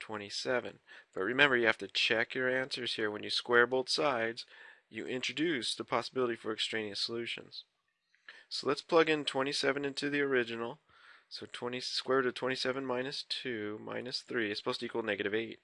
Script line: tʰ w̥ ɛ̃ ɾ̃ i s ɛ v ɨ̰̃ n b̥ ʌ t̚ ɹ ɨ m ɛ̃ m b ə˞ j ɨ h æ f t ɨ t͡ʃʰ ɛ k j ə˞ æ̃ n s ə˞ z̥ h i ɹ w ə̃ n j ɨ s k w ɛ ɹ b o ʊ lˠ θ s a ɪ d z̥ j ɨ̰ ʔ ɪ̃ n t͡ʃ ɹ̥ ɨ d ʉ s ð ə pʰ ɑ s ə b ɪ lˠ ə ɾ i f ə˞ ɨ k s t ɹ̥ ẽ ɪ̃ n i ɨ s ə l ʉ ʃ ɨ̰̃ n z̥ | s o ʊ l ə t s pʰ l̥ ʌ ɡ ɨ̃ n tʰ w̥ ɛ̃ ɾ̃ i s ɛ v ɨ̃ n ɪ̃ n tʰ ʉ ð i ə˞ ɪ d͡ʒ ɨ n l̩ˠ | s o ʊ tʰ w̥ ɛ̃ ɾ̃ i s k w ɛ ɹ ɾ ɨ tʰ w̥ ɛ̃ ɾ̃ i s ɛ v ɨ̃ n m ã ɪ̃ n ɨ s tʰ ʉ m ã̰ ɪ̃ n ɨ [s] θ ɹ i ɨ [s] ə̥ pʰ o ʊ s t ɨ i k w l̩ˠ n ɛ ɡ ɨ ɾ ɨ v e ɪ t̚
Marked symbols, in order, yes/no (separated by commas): yes, yes